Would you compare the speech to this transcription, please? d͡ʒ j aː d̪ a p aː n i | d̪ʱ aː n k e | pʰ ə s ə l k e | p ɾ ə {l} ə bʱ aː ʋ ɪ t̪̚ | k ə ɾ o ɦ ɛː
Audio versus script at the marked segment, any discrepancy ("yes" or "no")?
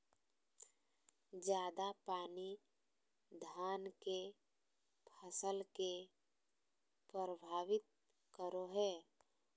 yes